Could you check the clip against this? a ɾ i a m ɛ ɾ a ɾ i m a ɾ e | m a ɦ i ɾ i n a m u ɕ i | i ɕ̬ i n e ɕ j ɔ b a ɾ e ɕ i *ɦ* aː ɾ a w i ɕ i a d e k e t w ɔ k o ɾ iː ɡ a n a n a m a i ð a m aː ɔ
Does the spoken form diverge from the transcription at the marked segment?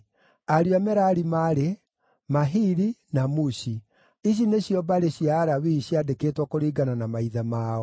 yes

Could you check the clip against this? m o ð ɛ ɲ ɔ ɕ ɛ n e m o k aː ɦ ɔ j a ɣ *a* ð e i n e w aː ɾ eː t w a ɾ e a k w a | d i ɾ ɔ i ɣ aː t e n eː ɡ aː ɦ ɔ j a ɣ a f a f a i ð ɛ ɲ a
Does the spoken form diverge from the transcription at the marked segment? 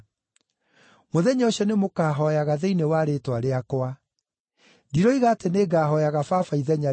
no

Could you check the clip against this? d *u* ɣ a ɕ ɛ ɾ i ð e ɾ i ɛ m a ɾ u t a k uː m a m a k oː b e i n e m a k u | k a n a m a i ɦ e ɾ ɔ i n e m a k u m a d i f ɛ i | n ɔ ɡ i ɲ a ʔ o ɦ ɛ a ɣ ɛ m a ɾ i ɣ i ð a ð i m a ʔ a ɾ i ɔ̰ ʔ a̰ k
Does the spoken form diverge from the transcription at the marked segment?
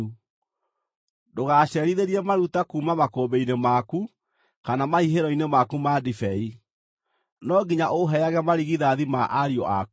yes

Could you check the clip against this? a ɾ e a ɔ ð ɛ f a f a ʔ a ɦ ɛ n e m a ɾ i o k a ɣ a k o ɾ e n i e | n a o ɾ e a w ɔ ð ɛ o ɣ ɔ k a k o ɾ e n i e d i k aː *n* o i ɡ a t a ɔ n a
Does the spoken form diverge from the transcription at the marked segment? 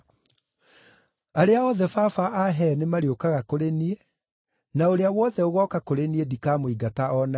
yes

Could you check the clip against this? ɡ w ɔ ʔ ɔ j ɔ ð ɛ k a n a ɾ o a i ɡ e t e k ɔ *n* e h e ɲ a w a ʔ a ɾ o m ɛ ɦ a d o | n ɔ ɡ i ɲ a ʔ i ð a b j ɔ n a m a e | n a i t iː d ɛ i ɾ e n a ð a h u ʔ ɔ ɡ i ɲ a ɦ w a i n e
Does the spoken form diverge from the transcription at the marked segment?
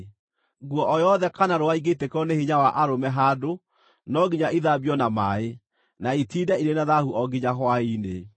no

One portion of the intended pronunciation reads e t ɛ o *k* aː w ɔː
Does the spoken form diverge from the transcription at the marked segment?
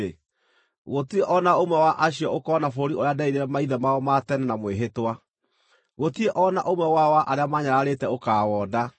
no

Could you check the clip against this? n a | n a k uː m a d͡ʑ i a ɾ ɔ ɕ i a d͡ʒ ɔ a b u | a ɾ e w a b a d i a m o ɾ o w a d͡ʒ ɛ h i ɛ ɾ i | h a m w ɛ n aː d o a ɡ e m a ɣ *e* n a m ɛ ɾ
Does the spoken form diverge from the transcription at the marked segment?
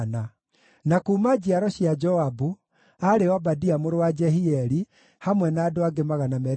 yes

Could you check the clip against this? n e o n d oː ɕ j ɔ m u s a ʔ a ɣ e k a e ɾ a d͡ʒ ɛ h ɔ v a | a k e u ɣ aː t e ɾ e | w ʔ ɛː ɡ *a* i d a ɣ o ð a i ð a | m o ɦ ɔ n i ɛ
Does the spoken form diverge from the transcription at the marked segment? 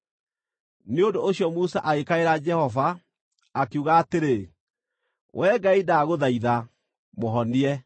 no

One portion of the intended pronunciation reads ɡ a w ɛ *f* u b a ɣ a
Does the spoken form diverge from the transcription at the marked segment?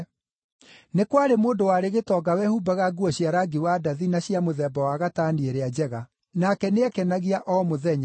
yes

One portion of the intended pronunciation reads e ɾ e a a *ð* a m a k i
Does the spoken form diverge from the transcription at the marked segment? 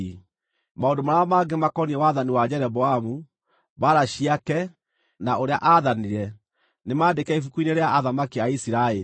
no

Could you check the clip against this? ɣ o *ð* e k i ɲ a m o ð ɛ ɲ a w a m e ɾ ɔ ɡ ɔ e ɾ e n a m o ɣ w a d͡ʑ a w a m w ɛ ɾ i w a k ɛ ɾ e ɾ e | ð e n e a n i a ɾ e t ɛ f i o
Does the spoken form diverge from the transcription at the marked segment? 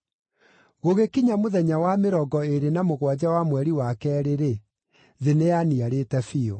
yes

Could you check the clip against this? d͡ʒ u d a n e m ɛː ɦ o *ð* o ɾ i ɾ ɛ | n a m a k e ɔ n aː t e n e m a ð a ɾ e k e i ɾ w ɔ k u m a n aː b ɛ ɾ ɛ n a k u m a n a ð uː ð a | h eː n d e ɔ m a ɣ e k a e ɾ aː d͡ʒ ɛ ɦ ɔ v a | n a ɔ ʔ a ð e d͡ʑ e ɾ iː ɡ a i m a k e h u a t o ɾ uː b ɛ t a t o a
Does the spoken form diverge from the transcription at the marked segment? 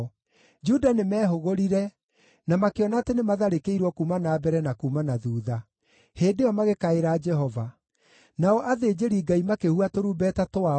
yes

